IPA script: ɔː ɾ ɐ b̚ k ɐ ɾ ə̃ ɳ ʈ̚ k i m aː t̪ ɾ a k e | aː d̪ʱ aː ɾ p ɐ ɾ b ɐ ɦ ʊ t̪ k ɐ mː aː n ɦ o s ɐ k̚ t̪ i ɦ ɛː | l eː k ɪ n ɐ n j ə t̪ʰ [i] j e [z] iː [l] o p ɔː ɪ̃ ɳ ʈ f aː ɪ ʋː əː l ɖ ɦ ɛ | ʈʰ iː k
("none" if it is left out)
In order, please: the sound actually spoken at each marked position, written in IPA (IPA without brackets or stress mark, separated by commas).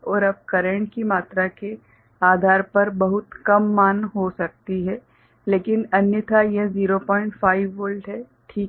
a, z, ɾ